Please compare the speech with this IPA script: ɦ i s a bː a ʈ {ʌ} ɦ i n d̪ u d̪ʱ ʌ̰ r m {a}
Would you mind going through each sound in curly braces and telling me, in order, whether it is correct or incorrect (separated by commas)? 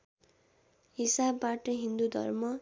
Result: correct, incorrect